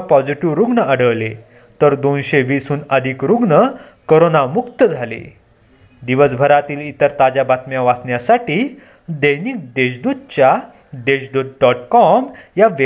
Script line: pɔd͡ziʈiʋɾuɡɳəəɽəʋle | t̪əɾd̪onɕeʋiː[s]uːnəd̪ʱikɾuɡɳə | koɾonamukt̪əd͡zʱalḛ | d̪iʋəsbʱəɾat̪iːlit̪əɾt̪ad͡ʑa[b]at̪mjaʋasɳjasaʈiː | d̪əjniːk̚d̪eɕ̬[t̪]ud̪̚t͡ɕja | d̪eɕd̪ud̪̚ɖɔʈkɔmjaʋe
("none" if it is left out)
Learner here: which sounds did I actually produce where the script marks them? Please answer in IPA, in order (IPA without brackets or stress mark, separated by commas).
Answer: s, b, d̪